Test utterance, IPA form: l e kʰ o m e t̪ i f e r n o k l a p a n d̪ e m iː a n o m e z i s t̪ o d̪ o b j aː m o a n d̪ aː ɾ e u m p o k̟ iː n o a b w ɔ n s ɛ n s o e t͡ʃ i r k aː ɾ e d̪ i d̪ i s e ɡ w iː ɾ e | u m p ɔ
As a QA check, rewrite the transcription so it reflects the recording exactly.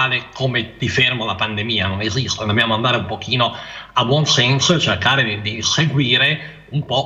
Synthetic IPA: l e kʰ o m e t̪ i f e r m o l a p a n d̪ e m iː a n o n e z i s t̪ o d̪ o b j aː m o a n d̪ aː ɾ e u m p o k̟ iː n o a b w ɔ n s ɛ n s o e t͡ʃ e r k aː ɾ e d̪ i d̪ i s e ɡ w iː ɾ e | u m p ɔ